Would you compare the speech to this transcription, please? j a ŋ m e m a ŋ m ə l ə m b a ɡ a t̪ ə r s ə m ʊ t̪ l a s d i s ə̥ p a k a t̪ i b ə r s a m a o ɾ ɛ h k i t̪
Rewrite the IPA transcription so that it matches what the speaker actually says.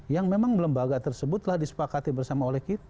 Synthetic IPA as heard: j a ŋ m e m a ŋ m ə l ə m b a ɡ a t̪ ə r s ə b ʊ t̪ l a h d i s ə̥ p a k a t̪ i b ə r s a m a o l ɛ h k i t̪